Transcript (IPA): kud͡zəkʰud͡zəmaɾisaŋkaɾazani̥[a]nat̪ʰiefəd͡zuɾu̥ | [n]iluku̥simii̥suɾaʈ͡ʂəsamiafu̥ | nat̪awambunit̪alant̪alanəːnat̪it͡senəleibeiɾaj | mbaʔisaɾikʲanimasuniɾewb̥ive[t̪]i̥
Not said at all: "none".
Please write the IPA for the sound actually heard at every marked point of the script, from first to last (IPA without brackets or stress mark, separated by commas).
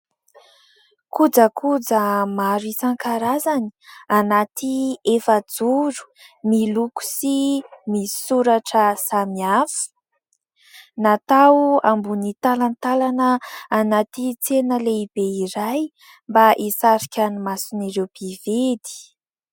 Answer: a, m, d̪